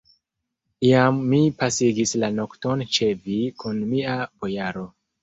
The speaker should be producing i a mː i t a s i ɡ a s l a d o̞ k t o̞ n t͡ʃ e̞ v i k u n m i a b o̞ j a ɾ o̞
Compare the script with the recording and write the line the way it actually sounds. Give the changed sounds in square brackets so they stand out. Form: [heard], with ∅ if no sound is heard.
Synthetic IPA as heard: i a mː i [p] a s i ɡ [i] s l a [n] o̞ k t o̞ n t͡ʃ e̞ v i k u n m i a b o̞ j a ɾ o̞